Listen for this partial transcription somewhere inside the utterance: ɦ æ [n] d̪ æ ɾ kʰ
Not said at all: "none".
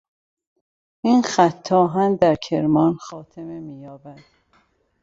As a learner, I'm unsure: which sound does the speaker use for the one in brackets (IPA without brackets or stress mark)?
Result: n